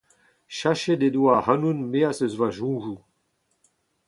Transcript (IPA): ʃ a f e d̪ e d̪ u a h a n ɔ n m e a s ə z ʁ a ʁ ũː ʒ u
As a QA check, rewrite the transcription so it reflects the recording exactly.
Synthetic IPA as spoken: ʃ a ʃ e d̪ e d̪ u a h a n u n m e a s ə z v a ʒ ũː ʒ u